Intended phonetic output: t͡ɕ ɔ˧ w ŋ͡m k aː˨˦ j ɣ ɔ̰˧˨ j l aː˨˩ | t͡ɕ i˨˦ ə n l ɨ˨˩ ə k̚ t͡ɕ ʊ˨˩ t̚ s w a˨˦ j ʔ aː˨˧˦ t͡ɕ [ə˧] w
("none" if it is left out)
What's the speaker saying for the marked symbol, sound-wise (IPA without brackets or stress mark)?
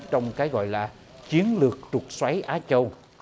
ə˧